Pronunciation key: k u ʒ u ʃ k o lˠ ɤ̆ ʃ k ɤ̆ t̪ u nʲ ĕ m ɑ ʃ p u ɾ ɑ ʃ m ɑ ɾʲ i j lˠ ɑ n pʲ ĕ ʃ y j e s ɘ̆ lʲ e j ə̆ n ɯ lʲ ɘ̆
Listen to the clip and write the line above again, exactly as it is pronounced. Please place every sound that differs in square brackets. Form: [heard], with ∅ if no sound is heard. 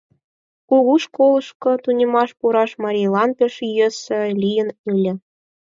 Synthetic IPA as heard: k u [ɣ] u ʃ k o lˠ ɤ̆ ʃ k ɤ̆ t̪ u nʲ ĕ m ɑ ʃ p u ɾ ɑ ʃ m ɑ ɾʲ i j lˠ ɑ n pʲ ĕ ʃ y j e s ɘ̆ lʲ [i] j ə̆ n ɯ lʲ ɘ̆